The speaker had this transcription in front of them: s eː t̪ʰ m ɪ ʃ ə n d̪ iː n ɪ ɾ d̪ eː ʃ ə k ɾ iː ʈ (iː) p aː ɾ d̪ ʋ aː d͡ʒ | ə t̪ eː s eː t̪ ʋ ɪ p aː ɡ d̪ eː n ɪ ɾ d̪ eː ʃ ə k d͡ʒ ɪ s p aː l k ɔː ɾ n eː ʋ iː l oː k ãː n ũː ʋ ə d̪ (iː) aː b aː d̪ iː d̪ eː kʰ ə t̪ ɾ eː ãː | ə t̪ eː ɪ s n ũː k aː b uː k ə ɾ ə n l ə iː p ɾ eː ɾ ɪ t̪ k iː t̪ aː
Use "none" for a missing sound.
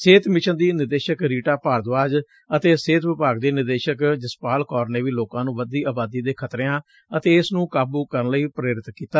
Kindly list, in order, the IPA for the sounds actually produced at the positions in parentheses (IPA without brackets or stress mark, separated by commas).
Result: aː, iː